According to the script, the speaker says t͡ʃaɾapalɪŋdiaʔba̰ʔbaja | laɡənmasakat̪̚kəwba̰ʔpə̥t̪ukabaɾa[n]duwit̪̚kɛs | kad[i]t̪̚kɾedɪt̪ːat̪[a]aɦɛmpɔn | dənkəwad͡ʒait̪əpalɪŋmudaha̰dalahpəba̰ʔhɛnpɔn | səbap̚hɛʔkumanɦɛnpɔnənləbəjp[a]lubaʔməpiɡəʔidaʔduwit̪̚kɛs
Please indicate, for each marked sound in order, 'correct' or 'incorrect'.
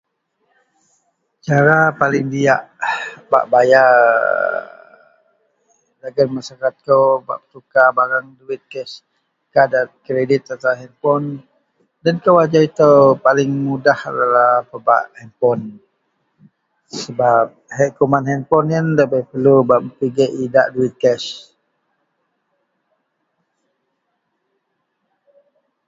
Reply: incorrect: ŋ, incorrect: a, correct, incorrect: ə

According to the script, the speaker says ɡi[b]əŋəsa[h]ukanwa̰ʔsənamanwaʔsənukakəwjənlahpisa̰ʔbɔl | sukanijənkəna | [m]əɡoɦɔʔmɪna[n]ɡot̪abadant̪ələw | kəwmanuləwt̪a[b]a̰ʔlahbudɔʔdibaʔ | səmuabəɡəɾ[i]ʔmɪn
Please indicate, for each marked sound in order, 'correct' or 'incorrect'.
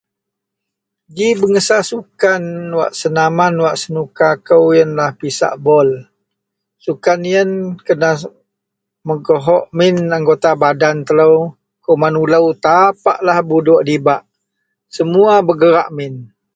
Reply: correct, incorrect: s, correct, incorrect: ŋ, incorrect: p, incorrect: a

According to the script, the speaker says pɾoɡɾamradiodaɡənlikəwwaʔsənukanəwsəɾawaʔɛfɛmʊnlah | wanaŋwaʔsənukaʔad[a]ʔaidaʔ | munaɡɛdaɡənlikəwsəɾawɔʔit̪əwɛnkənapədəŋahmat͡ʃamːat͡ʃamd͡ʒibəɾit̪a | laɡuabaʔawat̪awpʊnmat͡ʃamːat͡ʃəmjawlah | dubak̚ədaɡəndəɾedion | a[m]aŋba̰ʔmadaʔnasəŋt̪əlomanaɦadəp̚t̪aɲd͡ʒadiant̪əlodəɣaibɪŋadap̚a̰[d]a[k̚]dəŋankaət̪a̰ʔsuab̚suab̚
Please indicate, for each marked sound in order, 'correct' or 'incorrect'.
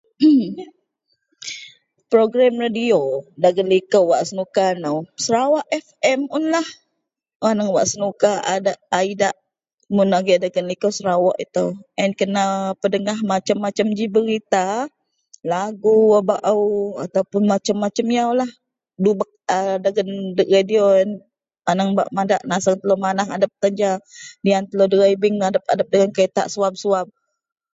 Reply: correct, incorrect: n, correct, incorrect: p̚

